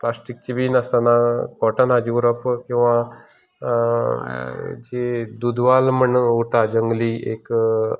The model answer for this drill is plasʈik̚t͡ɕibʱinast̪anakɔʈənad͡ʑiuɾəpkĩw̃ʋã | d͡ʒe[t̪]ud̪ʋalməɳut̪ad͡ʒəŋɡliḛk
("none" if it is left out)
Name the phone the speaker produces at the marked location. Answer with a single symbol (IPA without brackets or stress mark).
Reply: d̪